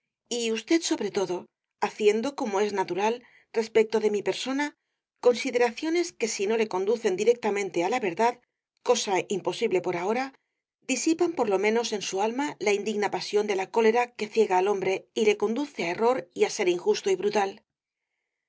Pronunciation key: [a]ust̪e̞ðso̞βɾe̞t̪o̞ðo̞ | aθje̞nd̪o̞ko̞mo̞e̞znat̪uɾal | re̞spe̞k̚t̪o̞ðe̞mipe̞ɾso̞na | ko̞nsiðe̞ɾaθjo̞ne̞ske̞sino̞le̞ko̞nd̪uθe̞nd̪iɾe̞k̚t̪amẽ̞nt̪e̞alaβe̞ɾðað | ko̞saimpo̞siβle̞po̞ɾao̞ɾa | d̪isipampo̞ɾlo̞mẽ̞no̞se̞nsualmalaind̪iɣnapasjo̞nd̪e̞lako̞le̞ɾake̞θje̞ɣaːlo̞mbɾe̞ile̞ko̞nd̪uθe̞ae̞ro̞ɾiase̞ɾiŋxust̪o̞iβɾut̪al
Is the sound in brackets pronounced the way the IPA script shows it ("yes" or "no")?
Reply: no